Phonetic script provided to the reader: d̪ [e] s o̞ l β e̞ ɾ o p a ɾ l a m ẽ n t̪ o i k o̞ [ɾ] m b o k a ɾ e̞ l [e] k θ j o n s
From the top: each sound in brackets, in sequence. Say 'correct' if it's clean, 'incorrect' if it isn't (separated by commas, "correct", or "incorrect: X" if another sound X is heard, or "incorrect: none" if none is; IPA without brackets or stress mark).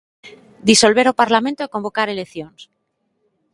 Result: incorrect: i, incorrect: none, correct